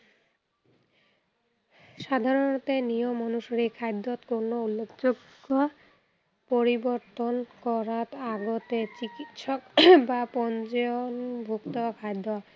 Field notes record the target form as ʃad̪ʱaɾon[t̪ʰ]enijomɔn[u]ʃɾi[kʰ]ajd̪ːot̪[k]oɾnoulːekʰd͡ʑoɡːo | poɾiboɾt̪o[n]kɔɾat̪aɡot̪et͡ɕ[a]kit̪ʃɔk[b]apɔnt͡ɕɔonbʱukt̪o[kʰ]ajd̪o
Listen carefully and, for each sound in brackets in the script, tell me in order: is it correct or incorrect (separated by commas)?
incorrect, correct, correct, correct, correct, incorrect, correct, correct